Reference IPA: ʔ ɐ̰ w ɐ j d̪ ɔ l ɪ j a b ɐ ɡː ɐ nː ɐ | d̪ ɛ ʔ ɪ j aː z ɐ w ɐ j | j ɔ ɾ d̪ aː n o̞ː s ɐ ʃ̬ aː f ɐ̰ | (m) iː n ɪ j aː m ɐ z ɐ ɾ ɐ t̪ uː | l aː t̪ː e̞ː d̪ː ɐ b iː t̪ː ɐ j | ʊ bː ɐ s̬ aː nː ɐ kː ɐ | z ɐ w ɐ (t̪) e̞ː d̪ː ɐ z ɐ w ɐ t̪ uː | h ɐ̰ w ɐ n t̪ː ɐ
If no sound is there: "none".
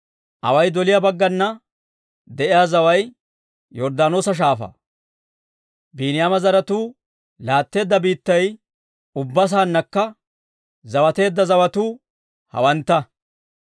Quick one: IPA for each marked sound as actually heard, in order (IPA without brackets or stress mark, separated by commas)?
b, t̪